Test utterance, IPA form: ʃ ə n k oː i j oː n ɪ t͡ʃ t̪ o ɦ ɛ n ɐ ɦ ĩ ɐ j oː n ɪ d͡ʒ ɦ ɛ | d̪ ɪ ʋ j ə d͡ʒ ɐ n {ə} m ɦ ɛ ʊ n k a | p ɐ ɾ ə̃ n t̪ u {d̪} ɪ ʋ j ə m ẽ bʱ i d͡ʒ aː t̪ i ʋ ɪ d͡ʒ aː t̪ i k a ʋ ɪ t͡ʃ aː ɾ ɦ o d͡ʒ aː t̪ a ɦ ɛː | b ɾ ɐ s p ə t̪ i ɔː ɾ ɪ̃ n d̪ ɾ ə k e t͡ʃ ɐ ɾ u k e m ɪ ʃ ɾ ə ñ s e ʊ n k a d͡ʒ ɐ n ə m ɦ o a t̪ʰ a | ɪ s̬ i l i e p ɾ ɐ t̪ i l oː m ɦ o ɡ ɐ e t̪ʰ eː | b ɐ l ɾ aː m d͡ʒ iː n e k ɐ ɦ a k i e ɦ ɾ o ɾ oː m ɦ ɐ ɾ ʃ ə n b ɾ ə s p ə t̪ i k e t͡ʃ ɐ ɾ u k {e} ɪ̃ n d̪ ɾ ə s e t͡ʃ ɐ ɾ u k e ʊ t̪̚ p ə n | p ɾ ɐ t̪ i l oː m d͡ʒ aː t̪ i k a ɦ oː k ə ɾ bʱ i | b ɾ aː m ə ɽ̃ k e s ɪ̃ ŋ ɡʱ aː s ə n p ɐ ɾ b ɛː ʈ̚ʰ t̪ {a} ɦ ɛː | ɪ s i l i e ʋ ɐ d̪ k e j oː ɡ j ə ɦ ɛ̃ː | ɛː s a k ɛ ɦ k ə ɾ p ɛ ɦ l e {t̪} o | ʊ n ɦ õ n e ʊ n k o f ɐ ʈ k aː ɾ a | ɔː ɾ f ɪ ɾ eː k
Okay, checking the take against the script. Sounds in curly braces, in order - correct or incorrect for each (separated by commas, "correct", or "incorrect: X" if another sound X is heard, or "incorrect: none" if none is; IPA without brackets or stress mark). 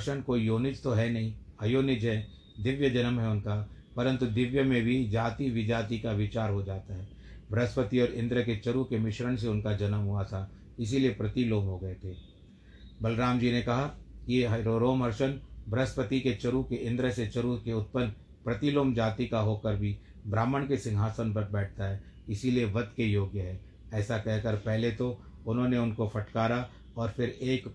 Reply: correct, correct, correct, correct, correct